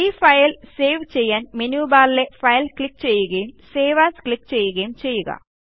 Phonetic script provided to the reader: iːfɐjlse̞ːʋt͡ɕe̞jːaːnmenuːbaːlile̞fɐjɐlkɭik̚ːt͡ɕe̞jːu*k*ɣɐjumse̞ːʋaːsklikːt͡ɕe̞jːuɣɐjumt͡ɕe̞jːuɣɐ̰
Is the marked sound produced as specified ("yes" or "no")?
no